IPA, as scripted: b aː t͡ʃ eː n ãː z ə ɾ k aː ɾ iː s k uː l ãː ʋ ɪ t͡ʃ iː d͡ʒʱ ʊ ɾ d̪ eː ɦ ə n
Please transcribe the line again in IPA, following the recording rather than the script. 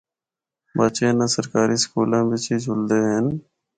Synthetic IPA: b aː t͡ʃ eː n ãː s ə ɾ k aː ɾ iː s k uː l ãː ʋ ɪ t͡ʃ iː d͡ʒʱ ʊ l d̪ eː ɦ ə n

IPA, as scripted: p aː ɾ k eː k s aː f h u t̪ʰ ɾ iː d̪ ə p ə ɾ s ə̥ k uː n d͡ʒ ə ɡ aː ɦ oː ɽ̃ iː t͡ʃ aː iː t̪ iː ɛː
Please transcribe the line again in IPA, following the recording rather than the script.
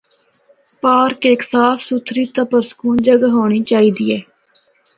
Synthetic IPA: p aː ɾ k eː k s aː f s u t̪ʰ ɾ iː t̪ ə p ə ɾ s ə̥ k uː n d͡ʒ ə ɡ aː ɦ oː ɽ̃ iː t͡ʃ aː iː d̪ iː ɛː

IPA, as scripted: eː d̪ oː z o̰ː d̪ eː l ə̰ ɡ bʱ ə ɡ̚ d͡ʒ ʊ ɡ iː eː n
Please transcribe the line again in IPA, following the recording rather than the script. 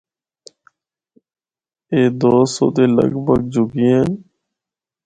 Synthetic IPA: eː d̪ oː s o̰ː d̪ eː l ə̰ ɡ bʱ ə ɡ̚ d͡ʒ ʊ ɡ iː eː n

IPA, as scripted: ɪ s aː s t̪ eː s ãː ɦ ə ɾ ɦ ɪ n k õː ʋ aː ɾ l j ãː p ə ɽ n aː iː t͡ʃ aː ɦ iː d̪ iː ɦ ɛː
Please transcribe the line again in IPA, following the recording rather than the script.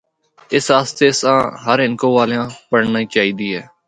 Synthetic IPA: ɪ s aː s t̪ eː s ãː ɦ ə ɾ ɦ ɪ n k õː ʋ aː l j ãː p ə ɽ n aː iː t͡ʃ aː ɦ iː d̪ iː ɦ ɛː

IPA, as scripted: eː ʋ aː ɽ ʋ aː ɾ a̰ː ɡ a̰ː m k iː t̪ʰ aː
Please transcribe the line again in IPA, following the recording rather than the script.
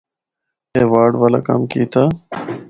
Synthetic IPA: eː ʋ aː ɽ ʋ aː l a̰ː k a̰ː m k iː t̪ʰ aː

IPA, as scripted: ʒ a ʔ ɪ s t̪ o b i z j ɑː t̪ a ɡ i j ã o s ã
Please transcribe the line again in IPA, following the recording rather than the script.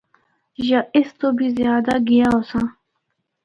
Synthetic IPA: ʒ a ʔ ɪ s t̪ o b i z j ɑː d̪ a ɡ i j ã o s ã

